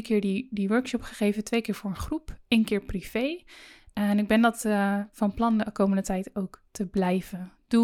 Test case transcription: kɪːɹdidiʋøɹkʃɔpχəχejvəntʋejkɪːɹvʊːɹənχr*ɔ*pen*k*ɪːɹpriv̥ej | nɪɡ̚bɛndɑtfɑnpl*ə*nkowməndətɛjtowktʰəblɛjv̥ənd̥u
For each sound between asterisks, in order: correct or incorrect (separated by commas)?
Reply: incorrect, correct, incorrect